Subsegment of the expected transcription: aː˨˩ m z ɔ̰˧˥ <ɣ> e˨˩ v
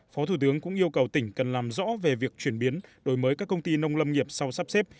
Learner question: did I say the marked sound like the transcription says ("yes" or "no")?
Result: no